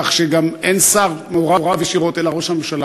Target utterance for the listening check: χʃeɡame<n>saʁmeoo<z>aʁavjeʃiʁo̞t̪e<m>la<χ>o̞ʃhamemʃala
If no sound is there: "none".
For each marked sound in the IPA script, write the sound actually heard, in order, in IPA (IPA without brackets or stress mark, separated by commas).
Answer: n, ʁ, none, ʁ